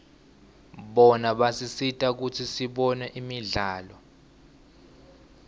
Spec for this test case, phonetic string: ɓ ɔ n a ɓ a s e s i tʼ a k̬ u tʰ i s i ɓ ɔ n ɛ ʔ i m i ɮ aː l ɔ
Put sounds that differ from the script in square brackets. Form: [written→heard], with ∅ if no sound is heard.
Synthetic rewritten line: ɓ ɔ n a ɓ a s [e→i] s i tʼ a k̬ u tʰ i s i ɓ ɔ n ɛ ʔ i m i ɮ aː l ɔ